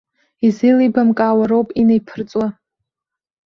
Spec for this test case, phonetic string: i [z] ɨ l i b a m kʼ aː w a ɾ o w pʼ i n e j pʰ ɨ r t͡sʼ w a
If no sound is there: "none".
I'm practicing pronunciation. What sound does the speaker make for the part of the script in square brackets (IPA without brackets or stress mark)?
z